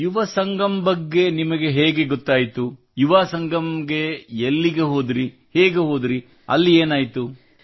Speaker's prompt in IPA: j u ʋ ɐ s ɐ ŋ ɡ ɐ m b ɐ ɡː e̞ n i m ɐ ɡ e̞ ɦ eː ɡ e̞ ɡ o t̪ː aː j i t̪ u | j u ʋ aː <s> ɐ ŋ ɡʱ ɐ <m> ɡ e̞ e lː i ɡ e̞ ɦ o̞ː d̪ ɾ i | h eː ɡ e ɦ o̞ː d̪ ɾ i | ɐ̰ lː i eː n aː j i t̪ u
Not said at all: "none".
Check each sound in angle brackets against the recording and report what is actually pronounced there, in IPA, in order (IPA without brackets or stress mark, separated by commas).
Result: s, m